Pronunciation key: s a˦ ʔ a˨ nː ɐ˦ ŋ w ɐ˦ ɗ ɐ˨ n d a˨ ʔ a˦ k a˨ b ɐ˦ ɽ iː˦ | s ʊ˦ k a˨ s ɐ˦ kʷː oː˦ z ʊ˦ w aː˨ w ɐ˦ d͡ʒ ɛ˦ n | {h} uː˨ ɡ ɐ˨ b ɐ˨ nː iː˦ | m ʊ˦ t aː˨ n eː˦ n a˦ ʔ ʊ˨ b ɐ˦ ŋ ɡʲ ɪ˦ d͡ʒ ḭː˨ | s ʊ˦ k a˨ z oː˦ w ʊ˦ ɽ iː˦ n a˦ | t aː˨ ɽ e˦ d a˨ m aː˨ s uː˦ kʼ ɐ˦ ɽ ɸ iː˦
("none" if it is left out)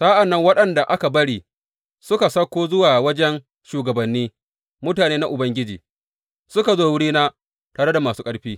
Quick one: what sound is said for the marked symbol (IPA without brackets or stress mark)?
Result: ʃ